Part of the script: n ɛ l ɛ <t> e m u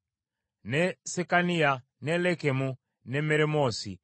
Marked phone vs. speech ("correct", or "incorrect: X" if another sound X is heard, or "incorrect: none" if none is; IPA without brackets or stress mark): incorrect: k